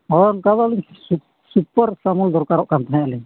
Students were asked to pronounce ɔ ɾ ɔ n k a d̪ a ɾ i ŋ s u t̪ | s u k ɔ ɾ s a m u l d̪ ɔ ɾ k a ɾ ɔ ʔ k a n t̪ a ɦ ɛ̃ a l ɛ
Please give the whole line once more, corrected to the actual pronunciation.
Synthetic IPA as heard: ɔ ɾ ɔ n k a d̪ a l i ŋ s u | s u p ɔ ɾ s a m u l d̪ ɔ ɾ k a ɾ ɔ ʔ k a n t̪ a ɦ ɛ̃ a l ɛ